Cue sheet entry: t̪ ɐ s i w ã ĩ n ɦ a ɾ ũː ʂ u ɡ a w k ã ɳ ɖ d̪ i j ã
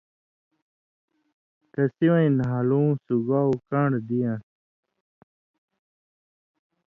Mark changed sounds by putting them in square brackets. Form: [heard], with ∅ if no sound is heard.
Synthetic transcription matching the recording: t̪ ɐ s i w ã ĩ n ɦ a [l] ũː [s] u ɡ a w k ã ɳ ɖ d̪ i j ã